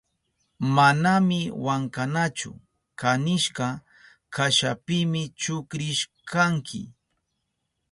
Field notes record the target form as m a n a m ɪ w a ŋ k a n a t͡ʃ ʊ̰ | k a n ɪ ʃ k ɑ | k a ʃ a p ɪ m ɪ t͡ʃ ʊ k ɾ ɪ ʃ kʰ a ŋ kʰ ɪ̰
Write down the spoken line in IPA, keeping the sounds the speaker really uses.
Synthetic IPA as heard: m a n a m ɪ w a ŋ k a n a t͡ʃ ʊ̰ | k a n ɪ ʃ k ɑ | k a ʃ a p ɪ m ɪ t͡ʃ ʊ k ɾ ɪ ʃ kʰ a ŋ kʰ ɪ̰